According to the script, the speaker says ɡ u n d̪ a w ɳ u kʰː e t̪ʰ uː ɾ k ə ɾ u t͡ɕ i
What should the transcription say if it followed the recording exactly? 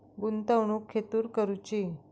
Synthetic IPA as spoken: ɡ u n t̪ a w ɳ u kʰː e t̪ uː ɾ k ə ɾ u t͡ɕ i